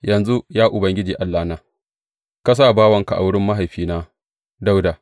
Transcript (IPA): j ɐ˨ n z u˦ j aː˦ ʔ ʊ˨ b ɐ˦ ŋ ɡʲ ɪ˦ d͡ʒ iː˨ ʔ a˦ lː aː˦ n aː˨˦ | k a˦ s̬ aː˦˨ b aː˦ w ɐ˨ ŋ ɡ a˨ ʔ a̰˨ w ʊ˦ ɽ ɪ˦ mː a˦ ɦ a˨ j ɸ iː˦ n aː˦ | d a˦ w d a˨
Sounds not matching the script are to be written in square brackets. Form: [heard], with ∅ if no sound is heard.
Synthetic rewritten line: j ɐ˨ n z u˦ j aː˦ ʔ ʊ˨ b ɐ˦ ŋ ɡʲ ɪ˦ d͡ʒ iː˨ ʔ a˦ lː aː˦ n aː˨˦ | k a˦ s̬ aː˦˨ b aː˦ w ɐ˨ ŋ [k] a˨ ʔ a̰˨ w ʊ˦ ɽ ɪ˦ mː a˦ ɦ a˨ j ɸ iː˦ n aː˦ | d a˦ w d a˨